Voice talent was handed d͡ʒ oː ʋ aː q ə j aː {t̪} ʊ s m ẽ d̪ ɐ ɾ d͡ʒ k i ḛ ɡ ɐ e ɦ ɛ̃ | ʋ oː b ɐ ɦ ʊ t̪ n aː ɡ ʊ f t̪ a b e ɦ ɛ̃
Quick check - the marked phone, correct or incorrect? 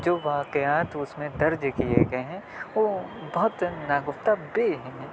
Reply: correct